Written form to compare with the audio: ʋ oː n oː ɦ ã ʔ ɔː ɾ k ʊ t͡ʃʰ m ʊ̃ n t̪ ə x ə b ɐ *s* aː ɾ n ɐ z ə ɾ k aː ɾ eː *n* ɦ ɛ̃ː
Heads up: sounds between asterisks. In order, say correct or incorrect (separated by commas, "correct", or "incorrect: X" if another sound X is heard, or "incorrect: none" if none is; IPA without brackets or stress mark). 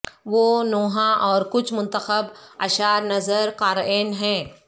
incorrect: ʃ, correct